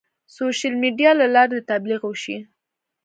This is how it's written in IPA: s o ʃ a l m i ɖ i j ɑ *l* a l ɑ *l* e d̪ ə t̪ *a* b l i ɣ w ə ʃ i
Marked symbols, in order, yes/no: yes, no, yes

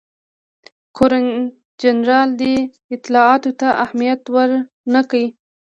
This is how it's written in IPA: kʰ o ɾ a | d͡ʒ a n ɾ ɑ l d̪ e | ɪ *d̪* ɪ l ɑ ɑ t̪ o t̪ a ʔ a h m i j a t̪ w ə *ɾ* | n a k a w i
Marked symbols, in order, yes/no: no, yes

